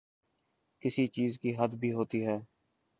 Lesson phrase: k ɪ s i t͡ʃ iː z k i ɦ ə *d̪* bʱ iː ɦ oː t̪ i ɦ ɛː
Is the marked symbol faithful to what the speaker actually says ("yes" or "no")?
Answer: yes